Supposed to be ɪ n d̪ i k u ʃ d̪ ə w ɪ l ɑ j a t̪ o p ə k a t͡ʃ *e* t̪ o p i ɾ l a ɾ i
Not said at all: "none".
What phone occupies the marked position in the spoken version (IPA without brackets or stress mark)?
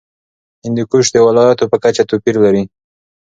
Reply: a